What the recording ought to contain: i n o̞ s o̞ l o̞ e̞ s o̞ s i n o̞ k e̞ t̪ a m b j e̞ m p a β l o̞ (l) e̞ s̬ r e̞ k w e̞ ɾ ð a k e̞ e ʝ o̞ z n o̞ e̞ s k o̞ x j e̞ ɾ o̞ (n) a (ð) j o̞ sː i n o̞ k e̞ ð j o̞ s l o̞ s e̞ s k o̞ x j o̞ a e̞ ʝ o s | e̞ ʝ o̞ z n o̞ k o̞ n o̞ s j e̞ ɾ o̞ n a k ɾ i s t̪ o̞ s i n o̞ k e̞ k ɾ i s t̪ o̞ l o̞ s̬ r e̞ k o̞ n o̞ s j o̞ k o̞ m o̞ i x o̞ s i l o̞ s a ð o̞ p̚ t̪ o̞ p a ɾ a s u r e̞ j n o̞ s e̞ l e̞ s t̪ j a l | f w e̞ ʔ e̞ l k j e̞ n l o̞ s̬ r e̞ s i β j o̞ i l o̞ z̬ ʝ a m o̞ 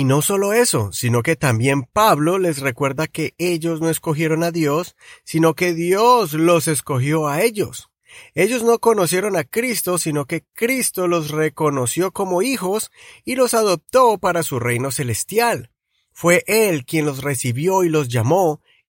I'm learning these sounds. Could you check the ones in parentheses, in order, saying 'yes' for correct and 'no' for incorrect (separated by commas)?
yes, yes, yes